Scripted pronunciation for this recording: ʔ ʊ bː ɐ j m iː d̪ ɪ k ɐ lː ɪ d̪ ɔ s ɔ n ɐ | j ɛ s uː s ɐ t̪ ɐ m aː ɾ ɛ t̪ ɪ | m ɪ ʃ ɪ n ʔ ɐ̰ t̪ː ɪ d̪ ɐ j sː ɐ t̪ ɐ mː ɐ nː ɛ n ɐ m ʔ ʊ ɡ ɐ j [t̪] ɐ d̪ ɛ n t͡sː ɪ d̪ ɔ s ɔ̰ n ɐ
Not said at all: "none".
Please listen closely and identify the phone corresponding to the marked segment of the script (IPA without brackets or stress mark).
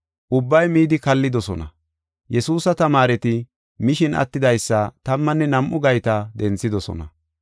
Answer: t̪